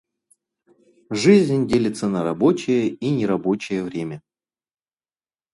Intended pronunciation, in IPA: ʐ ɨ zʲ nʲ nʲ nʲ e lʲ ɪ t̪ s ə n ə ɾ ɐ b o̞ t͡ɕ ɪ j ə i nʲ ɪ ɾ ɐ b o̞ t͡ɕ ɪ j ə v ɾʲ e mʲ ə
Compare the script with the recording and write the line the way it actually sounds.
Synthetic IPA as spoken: ʐ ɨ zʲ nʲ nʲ dʲ e lʲ ɪ t̪ s ə n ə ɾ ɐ b o̞ t͡ɕ ɪ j ə i nʲ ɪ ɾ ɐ b o̞ t͡ɕ ɪ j ə v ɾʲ e mʲ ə